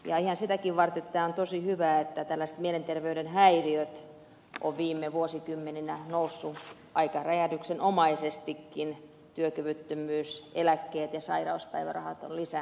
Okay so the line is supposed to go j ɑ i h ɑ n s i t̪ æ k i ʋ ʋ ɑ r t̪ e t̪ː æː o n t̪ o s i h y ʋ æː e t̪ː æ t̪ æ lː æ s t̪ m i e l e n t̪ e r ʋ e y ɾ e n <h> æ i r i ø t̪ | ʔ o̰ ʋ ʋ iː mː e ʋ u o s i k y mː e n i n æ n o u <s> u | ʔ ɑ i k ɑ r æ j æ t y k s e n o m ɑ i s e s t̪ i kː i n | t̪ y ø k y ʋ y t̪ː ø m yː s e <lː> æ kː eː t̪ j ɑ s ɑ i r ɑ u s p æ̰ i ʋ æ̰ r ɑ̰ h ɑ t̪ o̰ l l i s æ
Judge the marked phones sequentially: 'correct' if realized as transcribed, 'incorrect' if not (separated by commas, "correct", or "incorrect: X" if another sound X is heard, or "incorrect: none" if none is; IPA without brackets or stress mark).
correct, incorrect: sː, incorrect: l